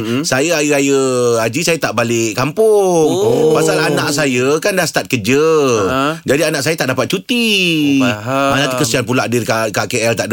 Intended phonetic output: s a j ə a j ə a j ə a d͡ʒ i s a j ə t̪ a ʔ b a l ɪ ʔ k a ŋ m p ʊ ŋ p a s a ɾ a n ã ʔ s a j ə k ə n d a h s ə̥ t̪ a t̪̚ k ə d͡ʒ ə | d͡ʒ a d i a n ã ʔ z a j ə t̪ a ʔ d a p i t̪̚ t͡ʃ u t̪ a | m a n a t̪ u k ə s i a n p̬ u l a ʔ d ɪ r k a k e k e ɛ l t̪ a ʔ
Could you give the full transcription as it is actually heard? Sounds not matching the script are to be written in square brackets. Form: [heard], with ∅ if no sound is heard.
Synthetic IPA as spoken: s a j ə a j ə a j ə a d͡ʒ i s a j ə t̪ a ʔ b a l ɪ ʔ k a [∅] m p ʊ ŋ p a s a [l] a n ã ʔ s a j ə k [a] n d a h s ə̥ t̪ a t̪̚ k ə d͡ʒ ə | d͡ʒ a d i a n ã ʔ [s] a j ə t̪ a ʔ d a p [a] t̪̚ t͡ʃ u t̪ [i] | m a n a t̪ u k ə s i a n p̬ u l a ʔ d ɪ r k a k [a] k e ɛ l t̪ a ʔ